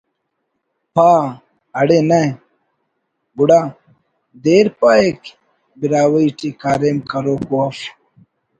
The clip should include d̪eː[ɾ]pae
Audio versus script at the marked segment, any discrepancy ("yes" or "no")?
no